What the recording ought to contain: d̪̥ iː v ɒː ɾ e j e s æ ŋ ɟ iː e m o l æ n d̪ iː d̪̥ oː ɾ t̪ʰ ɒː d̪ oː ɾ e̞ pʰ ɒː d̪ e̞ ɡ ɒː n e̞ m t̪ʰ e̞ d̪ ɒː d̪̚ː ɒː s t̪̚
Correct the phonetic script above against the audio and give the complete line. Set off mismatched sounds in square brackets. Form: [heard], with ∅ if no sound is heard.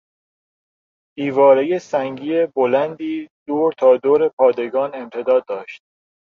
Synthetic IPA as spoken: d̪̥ iː v ɒː ɾ e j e s æ ŋ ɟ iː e [b] o l æ n d̪ iː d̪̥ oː ɾ t̪ʰ ɒː d̪ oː ɾ e̞ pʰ ɒː d̪ e̞ ɡ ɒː n e̞ m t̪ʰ e̞ d̪ ɒː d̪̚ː ɒː [ʃ] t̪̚